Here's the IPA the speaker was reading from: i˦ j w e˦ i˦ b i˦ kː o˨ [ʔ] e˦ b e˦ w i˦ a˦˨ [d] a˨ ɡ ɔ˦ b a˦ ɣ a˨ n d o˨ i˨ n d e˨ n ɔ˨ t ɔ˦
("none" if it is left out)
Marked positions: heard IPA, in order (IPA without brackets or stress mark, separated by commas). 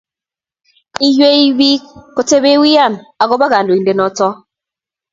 t, n